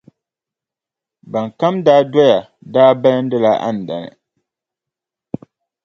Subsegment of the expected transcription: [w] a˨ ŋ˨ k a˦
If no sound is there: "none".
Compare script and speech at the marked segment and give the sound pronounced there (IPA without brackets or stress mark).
b